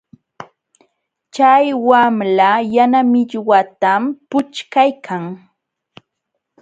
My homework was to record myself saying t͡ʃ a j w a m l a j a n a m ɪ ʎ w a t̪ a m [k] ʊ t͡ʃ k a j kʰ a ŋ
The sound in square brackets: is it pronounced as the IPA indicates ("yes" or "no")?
no